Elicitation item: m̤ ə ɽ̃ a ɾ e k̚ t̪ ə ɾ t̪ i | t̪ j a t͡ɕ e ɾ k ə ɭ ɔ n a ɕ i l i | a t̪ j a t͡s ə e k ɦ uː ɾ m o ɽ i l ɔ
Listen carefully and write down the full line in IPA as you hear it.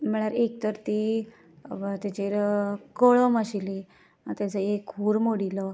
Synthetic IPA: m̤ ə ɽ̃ a ɾ e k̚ t̪ ə ɾ t̪ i | t̪ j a t͡ɕ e ɾ k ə ɭ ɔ m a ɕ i l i | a t̪ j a t͡s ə e k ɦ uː ɾ m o ɽ i l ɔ